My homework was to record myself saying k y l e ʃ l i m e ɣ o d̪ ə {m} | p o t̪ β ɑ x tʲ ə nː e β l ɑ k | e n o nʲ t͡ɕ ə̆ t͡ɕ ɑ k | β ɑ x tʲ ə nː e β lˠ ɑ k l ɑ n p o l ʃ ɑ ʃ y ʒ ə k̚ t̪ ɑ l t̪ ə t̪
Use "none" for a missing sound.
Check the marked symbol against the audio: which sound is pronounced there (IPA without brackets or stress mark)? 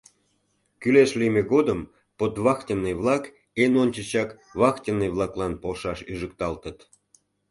m